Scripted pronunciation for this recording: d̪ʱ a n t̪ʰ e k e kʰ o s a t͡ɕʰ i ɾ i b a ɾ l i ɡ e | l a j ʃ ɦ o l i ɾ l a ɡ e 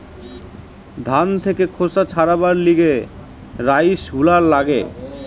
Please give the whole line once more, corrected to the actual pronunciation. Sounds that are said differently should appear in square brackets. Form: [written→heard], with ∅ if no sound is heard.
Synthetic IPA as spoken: d̪ʱ a n t̪ʰ e k e kʰ o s a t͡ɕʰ [i→a] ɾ [i→a] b a ɾ l i ɡ e | [l→ɾ] a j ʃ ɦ [o→u] l [i→a] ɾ l a ɡ e